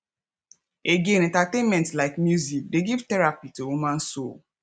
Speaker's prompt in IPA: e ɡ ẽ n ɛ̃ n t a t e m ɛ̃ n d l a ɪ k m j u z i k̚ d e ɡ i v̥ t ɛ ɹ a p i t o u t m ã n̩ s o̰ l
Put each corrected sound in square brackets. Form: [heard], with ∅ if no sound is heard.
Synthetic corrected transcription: e ɡ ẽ n ɛ̃ n t a t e m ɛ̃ n [t] l a ɪ k m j u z i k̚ d e ɡ i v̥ t ɛ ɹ a p i t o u [∅] m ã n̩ s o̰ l